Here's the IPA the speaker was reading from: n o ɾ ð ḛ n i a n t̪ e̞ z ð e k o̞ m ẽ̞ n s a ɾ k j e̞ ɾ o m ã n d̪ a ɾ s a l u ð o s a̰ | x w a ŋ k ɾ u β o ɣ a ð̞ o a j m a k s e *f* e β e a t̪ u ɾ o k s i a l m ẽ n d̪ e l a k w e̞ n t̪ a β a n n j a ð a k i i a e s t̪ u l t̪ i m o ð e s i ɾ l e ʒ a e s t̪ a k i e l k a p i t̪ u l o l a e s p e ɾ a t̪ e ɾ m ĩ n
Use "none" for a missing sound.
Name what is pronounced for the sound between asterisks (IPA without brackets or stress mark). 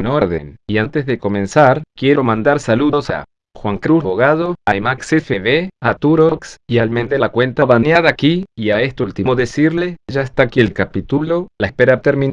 f